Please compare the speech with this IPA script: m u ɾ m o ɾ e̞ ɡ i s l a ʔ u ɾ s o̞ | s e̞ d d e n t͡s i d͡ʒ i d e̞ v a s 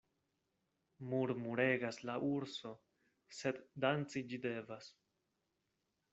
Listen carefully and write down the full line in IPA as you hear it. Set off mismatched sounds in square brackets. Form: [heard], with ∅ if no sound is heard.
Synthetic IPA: m u ɾ m [u] ɾ e̞ ɡ [a] s l a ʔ u ɾ s o̞ | s e̞ d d [a] n t͡s i d͡ʒ i d e̞ v a s